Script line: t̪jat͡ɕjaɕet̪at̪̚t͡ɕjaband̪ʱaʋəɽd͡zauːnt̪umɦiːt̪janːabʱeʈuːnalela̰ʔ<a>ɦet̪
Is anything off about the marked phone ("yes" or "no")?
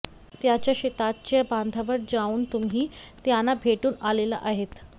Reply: no